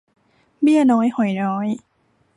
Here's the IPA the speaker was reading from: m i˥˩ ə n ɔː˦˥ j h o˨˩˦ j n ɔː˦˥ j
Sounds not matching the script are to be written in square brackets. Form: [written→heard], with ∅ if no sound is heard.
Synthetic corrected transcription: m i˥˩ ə n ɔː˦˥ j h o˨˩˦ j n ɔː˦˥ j